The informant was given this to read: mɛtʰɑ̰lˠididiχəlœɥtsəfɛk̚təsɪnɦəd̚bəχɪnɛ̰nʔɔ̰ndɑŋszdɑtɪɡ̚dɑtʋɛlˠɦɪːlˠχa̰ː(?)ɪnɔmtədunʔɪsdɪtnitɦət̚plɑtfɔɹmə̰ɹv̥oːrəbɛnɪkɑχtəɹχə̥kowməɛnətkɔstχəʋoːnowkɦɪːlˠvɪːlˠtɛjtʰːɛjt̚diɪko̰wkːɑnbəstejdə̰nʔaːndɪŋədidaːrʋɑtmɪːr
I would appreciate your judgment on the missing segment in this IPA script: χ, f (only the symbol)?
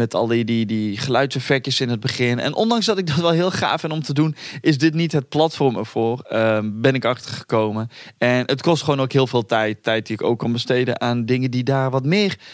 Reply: f